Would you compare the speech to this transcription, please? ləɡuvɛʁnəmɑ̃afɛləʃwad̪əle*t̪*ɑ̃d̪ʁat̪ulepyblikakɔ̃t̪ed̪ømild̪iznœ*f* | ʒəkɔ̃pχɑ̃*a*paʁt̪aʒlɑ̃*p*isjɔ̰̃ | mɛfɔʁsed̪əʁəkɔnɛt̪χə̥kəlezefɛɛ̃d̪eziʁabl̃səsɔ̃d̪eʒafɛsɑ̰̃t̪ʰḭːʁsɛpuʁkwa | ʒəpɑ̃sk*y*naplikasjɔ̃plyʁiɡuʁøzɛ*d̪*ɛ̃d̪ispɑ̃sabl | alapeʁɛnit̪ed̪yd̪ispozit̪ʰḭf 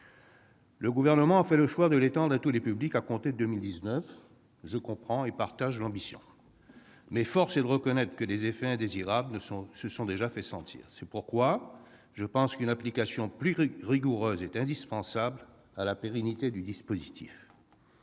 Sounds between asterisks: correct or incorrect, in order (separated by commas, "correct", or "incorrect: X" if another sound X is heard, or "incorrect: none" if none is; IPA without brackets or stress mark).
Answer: correct, correct, incorrect: e, incorrect: b, correct, incorrect: t̪